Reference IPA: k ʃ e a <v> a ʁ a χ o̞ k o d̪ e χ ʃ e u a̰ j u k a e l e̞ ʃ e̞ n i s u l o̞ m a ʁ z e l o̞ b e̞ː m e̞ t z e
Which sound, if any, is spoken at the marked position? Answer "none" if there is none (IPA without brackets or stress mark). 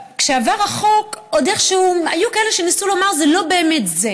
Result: v